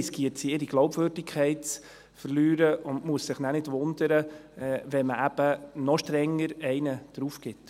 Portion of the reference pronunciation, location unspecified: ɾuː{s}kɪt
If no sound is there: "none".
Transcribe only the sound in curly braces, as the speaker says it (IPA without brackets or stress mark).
f